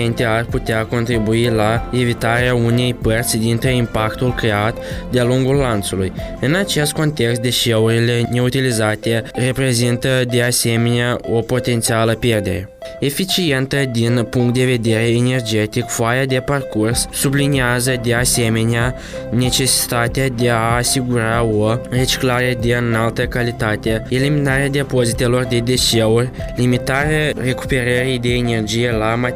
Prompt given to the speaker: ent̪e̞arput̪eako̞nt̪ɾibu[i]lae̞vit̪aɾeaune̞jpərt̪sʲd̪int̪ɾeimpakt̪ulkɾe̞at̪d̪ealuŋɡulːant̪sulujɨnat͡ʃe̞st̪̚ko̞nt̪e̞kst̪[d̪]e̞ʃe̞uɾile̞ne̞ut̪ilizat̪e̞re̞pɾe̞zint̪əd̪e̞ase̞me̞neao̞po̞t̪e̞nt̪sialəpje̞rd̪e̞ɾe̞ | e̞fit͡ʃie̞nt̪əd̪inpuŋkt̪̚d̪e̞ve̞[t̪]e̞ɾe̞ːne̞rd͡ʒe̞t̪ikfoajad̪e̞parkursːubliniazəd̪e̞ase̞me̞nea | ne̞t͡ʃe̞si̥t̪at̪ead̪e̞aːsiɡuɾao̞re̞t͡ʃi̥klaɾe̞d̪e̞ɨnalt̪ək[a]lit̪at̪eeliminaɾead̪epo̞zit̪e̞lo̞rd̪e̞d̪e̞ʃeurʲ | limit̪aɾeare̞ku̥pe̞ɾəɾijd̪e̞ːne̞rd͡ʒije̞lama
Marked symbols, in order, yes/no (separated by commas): yes, yes, no, yes